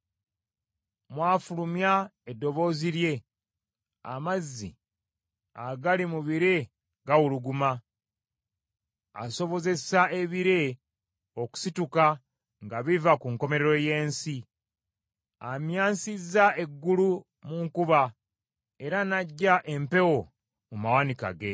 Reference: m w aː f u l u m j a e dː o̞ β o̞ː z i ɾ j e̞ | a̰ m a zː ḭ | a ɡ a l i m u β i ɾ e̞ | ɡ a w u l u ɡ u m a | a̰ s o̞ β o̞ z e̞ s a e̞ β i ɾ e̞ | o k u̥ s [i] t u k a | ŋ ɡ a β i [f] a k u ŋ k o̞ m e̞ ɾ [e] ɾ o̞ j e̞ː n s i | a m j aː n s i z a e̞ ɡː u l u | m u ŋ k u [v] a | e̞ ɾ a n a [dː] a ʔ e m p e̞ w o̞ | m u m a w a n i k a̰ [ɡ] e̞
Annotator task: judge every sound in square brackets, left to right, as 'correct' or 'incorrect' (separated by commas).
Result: correct, incorrect, correct, incorrect, incorrect, correct